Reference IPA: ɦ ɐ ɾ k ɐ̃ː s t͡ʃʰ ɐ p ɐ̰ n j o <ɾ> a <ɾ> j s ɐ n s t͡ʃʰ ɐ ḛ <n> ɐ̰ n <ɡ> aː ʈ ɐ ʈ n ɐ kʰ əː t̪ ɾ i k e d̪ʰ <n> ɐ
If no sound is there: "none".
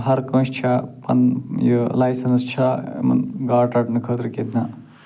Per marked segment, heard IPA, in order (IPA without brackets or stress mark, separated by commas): l, none, m, ɡ, n